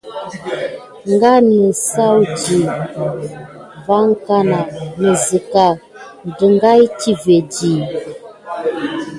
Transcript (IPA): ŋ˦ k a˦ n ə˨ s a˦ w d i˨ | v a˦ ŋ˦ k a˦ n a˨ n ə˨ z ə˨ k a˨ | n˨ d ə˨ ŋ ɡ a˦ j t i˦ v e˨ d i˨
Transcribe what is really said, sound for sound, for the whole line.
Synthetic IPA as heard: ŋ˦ ɡ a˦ n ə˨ s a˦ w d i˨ | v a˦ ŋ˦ k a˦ n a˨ n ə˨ z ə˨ k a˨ | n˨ d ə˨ ŋ ɡ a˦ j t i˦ v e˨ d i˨